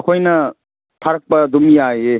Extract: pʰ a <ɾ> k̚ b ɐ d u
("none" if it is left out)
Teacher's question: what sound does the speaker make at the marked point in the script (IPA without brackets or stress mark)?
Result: ɾ